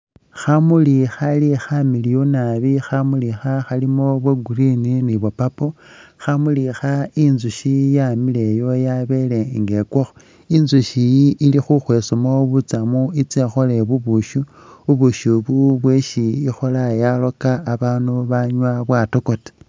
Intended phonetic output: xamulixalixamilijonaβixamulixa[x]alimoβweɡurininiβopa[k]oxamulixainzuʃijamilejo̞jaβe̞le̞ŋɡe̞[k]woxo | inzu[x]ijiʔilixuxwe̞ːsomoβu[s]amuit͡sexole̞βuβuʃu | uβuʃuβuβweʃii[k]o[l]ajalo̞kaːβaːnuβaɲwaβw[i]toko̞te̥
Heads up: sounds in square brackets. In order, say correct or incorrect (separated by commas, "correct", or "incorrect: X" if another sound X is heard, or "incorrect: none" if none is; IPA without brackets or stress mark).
correct, incorrect: p, correct, incorrect: ʃ, incorrect: t͡s, incorrect: x, correct, incorrect: a